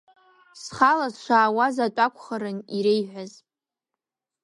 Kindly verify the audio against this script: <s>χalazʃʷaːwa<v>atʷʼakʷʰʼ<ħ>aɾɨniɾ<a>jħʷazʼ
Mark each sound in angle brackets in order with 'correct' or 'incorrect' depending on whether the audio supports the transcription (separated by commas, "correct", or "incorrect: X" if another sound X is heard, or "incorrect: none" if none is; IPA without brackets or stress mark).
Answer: correct, incorrect: z, incorrect: χ, incorrect: e